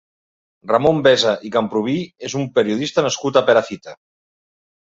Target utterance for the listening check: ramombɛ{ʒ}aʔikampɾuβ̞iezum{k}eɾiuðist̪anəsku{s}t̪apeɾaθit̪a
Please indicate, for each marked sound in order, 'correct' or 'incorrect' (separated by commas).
incorrect, incorrect, incorrect